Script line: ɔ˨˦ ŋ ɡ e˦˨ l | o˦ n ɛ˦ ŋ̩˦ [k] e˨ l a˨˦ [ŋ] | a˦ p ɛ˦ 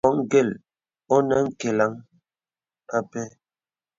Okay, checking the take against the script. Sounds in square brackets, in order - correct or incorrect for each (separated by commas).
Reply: correct, correct